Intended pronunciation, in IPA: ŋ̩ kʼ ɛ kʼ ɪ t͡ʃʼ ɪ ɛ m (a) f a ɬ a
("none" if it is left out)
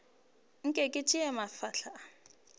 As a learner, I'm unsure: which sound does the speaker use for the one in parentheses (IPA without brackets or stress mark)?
a